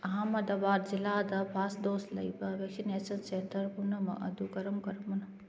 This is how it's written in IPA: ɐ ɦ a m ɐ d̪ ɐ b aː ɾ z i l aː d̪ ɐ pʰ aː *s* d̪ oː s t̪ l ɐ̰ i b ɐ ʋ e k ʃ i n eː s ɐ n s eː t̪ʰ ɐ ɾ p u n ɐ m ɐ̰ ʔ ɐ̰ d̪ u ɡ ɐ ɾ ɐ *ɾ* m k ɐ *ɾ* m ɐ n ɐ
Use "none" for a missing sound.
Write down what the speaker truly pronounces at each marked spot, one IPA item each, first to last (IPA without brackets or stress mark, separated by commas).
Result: s, none, ɾ